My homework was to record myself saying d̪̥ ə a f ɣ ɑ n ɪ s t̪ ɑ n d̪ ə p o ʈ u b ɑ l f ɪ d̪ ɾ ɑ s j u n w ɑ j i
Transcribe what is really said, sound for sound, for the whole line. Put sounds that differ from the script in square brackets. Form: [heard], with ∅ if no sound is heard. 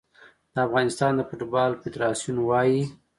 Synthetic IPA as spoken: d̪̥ ə a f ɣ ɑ n ɪ s t̪ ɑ n d̪ ə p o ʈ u b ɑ l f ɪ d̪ ɾ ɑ s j u n w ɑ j i